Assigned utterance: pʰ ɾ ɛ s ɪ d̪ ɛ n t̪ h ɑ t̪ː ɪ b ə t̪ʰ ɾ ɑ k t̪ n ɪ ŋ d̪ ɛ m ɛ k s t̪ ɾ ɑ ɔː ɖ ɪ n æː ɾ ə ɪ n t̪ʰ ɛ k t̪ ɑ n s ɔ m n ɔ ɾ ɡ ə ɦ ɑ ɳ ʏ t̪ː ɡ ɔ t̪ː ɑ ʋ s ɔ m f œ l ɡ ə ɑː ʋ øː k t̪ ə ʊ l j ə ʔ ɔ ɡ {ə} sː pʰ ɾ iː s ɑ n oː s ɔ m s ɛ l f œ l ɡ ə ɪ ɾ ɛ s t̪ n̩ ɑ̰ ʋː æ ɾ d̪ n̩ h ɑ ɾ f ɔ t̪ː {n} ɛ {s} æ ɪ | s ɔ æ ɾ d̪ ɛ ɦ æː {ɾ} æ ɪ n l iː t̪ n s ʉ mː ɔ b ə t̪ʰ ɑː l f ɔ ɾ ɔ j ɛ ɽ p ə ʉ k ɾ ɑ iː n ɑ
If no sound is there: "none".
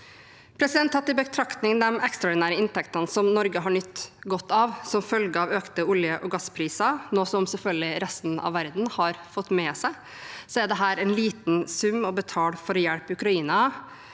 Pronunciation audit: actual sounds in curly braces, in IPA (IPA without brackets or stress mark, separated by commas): ɑ, m, s, ɾ